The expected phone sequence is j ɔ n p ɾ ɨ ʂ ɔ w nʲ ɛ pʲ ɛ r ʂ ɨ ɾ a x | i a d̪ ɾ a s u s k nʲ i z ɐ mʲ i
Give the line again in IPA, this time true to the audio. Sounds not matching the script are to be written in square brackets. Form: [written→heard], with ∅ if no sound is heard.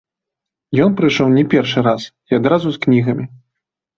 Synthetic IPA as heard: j ɔ n p ɾ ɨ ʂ ɔ w nʲ ɛ pʲ ɛ r ʂ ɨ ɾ a [x→s] | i a d̪ ɾ a [s→z] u s k nʲ i [z→ɣ] ɐ mʲ i